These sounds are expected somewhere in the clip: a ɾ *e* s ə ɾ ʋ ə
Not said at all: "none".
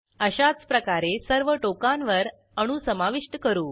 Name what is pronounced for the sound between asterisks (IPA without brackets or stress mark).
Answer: e